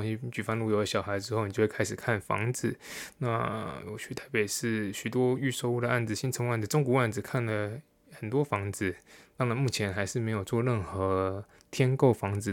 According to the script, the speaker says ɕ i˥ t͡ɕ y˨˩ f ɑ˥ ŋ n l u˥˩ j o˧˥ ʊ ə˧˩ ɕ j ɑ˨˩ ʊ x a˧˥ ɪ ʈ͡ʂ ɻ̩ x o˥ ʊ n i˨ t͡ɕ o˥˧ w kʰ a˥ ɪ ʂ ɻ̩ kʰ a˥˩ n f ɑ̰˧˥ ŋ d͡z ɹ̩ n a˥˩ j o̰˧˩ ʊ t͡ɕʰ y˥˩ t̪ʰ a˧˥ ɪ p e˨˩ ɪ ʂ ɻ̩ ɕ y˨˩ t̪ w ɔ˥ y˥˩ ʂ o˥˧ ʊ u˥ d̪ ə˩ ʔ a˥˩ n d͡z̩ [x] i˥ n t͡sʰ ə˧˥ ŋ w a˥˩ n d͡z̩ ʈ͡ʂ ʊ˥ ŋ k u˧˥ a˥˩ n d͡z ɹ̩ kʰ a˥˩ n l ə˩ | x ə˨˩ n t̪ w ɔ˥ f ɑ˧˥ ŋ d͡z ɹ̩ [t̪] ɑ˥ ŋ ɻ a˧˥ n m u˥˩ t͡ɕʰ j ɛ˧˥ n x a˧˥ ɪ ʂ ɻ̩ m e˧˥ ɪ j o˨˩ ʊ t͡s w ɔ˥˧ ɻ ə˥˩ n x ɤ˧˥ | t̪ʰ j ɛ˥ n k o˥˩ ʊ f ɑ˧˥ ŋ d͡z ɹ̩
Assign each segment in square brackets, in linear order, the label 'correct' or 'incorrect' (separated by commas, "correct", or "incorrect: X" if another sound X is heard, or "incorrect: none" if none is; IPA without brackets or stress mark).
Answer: incorrect: ɕ, correct